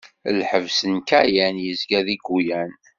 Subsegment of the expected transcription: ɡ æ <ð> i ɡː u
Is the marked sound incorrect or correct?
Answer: correct